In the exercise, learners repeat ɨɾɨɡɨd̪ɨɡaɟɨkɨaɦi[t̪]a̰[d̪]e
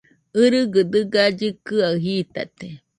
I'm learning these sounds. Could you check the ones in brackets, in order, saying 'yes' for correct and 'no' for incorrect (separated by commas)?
yes, no